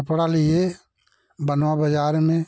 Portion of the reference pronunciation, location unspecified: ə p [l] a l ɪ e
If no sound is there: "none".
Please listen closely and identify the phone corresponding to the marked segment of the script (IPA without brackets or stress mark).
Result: ɽ